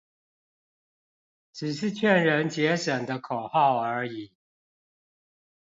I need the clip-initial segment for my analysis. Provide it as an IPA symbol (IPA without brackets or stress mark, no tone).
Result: ʈ͡ʂ